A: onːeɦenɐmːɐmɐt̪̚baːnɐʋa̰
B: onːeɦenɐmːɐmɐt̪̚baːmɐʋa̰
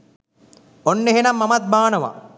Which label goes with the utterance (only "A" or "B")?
A